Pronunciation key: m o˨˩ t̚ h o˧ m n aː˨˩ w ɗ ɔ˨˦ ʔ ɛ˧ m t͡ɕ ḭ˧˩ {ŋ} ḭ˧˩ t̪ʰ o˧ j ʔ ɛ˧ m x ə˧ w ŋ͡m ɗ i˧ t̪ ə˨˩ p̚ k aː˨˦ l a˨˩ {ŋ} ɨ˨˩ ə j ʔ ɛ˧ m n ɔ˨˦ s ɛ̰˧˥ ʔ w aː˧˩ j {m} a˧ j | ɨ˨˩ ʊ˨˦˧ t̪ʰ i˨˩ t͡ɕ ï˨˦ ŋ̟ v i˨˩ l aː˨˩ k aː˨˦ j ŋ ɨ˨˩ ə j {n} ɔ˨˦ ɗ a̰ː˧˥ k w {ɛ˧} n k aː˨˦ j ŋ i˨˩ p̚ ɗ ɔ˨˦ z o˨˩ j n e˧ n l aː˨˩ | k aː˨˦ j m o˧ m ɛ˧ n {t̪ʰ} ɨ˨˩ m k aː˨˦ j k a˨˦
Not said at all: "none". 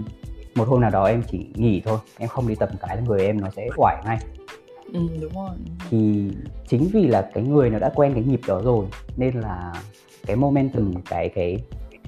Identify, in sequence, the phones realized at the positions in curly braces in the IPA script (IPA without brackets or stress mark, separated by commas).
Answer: ŋ, ŋ, ŋ, n, ɛ˧, t̪